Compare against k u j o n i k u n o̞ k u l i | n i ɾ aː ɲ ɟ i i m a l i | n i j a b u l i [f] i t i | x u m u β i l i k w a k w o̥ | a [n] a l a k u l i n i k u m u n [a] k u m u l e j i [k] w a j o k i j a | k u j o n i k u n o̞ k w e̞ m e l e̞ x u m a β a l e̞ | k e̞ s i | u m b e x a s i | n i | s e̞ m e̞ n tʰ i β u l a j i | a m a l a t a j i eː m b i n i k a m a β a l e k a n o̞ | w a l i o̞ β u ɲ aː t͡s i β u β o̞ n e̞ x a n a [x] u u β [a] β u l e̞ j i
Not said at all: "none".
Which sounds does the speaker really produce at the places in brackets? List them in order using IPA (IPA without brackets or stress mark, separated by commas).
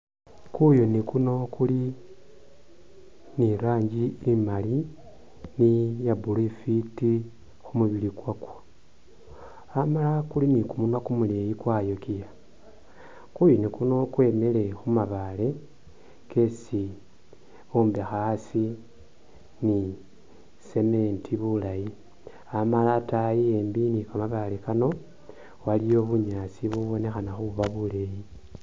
f, m, a, k, x, a